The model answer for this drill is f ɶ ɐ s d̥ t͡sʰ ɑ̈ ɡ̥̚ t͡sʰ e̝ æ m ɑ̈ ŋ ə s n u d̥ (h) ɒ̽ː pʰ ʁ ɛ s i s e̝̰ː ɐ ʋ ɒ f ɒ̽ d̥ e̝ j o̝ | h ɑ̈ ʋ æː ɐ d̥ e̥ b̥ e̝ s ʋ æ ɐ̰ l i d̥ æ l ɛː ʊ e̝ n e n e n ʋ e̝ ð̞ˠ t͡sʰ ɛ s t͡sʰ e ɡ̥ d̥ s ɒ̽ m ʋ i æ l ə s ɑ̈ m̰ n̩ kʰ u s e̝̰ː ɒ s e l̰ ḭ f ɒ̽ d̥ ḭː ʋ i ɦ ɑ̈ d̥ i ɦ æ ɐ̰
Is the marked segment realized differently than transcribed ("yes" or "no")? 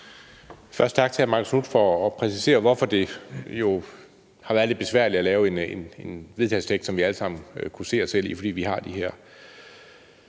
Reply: yes